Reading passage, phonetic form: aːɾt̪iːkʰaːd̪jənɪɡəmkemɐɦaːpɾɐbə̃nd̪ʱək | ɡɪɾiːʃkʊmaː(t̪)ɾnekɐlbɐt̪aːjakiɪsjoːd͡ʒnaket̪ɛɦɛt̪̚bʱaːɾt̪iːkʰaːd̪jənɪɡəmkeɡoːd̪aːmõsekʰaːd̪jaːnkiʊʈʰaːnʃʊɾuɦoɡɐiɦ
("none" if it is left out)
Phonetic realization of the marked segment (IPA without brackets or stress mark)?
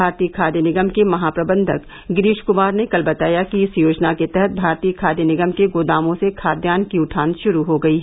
none